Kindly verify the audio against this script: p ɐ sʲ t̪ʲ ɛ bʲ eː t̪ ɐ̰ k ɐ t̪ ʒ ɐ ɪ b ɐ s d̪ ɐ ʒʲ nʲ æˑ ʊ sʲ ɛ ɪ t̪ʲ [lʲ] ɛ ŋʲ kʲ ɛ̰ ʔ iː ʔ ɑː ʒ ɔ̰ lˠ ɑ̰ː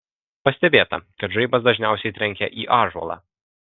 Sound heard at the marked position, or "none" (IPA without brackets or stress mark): ɾʲ